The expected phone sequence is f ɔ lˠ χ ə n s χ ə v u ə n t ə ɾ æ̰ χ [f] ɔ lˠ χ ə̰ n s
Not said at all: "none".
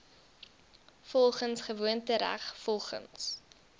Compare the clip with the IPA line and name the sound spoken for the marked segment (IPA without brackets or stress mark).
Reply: f